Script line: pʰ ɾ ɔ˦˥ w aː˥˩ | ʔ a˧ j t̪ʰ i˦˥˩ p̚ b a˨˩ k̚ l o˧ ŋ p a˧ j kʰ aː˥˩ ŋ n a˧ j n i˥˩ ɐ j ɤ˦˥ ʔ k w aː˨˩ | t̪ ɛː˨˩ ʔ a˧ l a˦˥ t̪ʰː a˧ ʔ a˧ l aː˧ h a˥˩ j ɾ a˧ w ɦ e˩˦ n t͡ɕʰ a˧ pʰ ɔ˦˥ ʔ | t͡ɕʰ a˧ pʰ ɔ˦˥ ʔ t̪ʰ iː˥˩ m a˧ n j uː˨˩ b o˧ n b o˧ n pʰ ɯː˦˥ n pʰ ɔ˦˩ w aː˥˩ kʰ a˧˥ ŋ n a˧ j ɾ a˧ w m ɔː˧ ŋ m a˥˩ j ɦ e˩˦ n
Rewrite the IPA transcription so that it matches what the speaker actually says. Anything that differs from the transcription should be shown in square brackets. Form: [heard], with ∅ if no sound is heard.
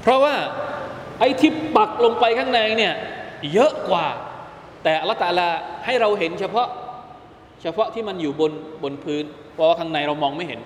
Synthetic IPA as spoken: pʰ ɾ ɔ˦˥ w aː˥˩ | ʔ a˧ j t̪ʰ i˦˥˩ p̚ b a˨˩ k̚ l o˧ ŋ p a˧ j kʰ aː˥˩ ŋ n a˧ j n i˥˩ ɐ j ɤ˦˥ ʔ k w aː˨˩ | t̪ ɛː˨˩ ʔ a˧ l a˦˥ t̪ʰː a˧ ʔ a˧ l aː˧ h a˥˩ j ɾ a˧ w ɦ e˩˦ n t͡ɕʰ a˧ pʰ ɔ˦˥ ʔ | t͡ɕʰ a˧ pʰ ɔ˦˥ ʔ t̪ʰ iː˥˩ m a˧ n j uː˨˩ b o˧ n b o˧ n pʰ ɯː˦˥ n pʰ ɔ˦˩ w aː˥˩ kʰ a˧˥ ŋ n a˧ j ɾ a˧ w m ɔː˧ ŋ m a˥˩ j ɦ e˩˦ n